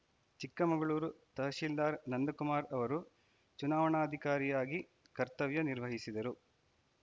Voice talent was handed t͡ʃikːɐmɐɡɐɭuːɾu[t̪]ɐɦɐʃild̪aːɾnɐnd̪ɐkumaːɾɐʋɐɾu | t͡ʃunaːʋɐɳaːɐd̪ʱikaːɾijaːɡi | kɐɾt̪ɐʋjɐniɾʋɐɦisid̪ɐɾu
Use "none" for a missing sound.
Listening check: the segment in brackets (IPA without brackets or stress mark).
t̪